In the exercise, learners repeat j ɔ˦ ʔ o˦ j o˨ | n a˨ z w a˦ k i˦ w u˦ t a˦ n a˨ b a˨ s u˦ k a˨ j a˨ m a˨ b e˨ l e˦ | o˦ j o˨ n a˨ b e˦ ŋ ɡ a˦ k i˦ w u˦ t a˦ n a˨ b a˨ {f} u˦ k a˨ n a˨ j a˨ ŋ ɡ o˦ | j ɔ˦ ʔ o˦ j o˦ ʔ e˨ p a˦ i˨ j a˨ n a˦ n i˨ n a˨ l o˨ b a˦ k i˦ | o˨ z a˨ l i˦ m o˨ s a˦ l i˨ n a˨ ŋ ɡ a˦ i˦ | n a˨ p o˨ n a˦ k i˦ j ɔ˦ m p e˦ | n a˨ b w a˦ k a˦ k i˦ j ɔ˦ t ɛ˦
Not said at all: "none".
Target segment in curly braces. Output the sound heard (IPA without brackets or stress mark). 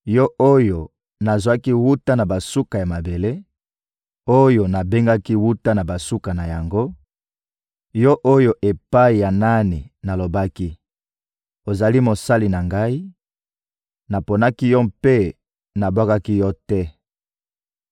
s